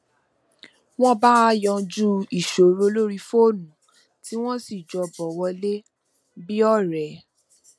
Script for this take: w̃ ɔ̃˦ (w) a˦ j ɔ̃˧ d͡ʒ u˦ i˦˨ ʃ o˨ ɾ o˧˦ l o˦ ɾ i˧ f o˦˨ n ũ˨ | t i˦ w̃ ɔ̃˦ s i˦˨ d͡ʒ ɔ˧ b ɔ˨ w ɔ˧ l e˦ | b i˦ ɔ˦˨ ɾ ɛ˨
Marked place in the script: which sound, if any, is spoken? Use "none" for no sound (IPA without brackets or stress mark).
b